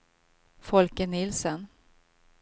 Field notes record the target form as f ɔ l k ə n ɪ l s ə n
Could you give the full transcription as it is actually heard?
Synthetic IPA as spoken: f ɔ l k ə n ɪ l s ə n

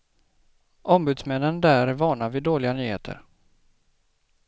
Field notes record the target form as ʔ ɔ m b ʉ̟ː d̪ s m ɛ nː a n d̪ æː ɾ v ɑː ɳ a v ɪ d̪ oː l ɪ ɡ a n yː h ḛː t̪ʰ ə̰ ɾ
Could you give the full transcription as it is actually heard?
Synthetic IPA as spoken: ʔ ɔ m b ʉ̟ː d̪ s m ɛ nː ə n d̪ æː ɾ v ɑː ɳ a v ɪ d̪ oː l ɪ ɡ a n yː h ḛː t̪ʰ ə̰ ɾ

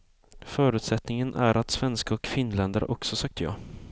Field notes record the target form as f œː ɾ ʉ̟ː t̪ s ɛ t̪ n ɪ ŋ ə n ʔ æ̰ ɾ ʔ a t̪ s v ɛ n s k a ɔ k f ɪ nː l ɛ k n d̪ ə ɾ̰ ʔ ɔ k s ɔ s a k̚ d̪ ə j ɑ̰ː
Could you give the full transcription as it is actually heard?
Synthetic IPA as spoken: f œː ɾ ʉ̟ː t̪ s ɛ t̪ n ɪ ŋ ə n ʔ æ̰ ɾ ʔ a t̪ s v ɛ n s k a ɔ k f ɪ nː l ɛ n d̪ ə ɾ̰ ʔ ɔ k s ɔ s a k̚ t̪ ə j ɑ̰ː

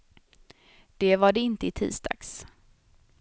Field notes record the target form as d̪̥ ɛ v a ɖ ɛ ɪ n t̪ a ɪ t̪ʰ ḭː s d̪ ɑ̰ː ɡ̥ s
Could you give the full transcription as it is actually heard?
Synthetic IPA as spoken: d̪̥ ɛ v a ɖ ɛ ɪ n t̪ ə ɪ t̪ʰ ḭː s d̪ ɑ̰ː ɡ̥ s

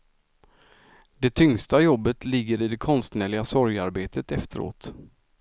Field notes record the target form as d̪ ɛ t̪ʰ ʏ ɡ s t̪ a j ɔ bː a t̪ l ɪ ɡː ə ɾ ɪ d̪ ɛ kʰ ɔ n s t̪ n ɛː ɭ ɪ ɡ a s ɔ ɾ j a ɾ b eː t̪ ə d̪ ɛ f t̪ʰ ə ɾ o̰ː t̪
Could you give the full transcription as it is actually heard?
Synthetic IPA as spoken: d̪ ɛ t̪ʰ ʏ ŋ s t̪ a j ɔ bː ə t̪ l ɪ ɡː ə ɾ ɪ d̪ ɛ kʰ ɔ n s t̪ n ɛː ɭ ɪ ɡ a s ɔ ɾ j a ɾ b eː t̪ ə t̪ ɛ f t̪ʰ ə ɾ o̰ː t̪

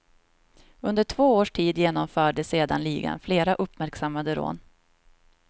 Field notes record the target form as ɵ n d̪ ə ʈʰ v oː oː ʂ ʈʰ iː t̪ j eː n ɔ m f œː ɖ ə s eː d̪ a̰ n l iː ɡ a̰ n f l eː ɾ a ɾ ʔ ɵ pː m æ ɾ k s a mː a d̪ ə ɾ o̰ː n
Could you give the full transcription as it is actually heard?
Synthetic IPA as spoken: ɵ n d̪ ə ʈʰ v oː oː ʂ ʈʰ iː d̪ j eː n ɔ m f œː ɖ ə s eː d̪ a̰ n l iː ɡ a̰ n f l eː ɾ a ʔ ɵ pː m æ ɾ k s a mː a d̪ ə ɾ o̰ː n

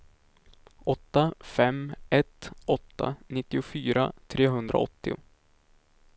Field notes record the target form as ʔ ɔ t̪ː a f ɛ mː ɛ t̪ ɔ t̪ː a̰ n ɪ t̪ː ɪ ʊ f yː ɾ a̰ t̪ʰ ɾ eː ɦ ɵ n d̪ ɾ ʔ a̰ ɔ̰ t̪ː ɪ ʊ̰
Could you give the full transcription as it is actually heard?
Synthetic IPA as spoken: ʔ ɔ t̪ː a f ɛ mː ɛ t̪ ɔ t̪ː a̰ n ɪ t̪ː ɪ ʊ f yː ɾ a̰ t̪ʰ ɾ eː ɦ ɵ n d̪ ɾ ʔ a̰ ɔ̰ t̪ː ɪ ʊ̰

